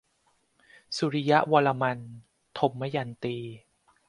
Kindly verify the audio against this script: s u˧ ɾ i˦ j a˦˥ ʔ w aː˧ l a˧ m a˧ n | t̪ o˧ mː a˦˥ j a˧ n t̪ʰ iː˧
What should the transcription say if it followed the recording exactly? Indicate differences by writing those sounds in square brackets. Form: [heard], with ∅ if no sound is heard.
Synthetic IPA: s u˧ ɾ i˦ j a˦˥ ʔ w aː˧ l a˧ m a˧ n | [t̪ʰ] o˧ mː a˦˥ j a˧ n [t̪] iː˧